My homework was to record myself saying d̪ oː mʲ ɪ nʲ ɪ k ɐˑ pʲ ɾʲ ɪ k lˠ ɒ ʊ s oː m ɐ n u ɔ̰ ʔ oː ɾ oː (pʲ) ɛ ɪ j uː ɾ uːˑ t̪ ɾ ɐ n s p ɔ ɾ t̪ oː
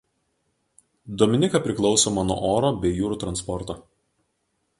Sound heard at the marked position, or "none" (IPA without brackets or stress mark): bʲ